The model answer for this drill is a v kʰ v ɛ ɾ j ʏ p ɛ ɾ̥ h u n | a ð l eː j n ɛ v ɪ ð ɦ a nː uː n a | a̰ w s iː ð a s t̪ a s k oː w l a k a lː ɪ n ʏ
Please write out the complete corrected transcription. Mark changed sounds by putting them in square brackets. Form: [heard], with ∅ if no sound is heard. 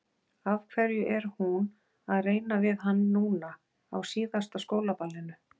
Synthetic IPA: a v kʰ v ɛ ɾ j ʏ [ʔ] ɛ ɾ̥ h u n | a ð [r] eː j n [a] v ɪ ð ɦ a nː uː n a | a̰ w s iː ð a s t̪ a s k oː w l a [p] a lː ɪ n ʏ